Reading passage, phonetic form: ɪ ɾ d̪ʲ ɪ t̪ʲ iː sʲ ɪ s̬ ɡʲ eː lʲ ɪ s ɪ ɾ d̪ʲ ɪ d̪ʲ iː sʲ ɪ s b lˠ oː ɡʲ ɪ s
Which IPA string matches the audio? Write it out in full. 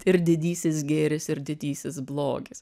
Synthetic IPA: ɪ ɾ d̪ʲ ɪ d̪ʲ iː sʲ ɪ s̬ ɡʲ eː ɾʲ ɪ s ɪ ɾ d̪ʲ ɪ d̪ʲ iː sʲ ɪ s b lˠ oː ɡʲ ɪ s